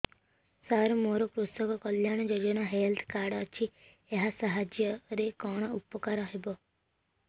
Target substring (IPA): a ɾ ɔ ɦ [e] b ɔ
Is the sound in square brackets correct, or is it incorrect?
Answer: correct